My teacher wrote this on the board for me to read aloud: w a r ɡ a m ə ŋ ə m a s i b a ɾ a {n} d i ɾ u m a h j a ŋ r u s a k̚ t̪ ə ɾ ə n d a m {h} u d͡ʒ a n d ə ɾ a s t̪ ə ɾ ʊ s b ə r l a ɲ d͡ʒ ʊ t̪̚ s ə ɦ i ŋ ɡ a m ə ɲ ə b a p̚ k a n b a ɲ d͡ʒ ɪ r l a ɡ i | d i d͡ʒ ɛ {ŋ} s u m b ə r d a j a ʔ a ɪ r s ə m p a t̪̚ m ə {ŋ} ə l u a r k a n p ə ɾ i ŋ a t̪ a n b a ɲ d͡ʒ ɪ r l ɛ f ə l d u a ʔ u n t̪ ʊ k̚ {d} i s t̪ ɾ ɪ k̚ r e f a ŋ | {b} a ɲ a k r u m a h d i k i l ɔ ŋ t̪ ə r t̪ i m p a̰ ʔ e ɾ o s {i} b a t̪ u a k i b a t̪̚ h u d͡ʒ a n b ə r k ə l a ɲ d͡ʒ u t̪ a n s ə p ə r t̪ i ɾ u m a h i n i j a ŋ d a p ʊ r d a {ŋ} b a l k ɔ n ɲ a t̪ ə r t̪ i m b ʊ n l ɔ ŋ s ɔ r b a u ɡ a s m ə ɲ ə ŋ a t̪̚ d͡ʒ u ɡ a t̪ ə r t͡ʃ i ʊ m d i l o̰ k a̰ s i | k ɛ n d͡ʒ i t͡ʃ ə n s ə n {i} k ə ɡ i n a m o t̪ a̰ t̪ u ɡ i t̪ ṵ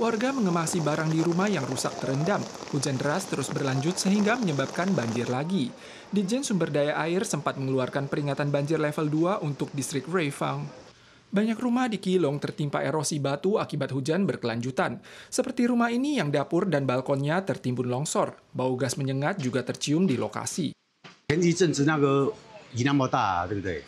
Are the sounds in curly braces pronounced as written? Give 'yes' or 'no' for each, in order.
no, yes, no, yes, yes, yes, yes, no, no

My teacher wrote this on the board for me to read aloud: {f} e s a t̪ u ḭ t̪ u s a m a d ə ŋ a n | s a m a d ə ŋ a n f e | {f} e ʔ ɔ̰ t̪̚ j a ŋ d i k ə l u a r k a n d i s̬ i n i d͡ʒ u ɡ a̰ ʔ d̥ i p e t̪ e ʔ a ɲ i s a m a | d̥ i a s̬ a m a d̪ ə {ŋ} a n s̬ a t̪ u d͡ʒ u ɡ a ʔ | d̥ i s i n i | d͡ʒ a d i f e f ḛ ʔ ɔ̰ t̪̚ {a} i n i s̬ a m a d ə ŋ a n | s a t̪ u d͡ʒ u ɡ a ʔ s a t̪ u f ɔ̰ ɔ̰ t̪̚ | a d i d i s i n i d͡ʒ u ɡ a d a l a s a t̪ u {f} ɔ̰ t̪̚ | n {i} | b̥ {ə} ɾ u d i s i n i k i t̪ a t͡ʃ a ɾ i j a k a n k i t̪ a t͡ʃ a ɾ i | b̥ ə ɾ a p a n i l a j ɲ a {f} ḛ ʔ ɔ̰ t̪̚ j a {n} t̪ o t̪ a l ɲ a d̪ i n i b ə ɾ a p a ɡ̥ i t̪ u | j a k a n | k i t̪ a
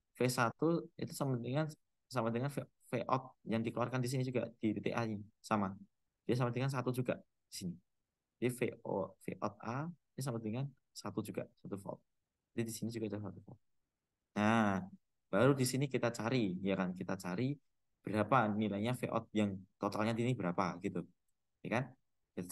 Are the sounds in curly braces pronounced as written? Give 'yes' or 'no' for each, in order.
yes, yes, yes, yes, yes, no, no, yes, no

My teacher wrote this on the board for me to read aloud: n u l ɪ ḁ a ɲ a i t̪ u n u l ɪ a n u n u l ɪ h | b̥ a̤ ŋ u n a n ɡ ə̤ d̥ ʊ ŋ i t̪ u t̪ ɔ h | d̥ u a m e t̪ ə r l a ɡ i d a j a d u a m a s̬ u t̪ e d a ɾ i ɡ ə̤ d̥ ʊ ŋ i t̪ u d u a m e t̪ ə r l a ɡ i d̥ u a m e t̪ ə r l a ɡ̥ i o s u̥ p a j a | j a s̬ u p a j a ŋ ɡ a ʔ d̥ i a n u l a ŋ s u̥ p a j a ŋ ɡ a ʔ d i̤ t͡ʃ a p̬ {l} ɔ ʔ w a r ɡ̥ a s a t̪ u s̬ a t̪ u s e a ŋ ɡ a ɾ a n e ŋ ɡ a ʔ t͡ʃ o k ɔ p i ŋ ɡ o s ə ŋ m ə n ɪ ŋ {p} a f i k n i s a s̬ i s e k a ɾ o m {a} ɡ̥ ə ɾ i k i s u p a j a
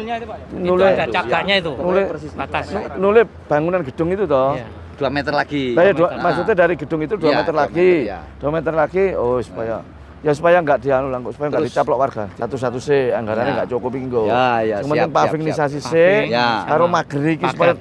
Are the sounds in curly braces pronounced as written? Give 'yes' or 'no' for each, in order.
yes, yes, yes

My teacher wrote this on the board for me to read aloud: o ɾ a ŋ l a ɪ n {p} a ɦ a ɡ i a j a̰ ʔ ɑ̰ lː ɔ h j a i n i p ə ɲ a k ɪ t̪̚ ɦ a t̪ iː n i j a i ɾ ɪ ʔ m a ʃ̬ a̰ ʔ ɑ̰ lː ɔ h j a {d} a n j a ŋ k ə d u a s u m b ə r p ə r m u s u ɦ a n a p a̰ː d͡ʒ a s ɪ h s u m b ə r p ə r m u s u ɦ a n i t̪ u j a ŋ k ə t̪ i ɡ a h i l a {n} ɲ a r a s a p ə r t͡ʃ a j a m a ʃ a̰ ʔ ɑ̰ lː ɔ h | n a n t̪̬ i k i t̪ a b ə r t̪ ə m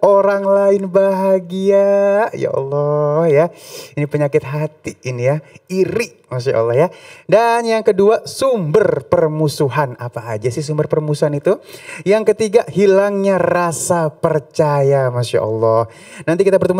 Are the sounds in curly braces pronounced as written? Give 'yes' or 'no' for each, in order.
no, yes, no

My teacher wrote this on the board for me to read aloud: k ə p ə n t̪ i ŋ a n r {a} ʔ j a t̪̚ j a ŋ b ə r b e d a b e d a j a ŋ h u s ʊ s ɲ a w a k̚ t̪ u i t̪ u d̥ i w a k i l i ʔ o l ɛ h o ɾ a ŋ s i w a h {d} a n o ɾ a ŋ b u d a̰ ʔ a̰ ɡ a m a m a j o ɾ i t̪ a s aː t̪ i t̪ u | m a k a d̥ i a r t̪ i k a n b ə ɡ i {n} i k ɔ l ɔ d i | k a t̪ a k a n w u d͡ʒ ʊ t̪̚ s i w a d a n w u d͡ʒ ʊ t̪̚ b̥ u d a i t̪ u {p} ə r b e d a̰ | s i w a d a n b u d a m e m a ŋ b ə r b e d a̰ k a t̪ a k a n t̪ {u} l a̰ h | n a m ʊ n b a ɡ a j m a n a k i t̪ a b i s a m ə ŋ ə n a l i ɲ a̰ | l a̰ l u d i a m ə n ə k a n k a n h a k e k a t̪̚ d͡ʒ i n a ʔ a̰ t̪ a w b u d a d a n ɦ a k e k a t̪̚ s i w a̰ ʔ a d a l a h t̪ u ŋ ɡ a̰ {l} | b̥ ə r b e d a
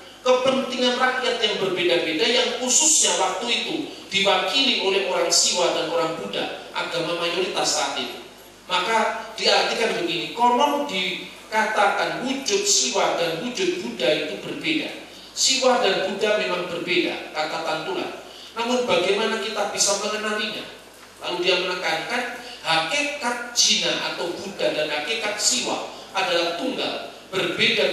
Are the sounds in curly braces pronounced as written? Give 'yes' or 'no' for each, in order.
yes, yes, yes, no, yes, yes

